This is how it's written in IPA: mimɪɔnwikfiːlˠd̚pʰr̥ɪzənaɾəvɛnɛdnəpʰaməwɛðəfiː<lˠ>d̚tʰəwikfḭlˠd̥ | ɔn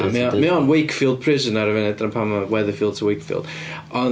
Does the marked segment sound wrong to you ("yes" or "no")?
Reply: no